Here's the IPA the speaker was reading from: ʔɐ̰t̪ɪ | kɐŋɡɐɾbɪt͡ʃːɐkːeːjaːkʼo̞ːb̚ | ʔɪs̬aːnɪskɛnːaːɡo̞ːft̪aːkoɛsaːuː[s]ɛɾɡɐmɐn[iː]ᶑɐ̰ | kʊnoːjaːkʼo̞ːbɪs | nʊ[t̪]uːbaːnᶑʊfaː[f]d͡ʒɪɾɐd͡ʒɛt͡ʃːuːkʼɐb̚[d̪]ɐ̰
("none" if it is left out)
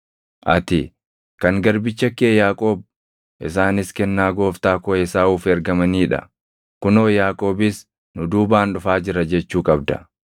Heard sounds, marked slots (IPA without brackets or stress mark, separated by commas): f, iː, d̪, none, d̪